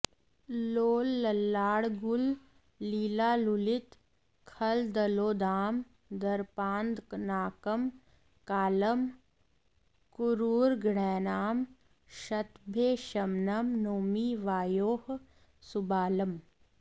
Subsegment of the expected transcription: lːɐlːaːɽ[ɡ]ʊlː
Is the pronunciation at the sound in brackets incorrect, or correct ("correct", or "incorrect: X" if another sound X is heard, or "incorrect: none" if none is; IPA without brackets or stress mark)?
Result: correct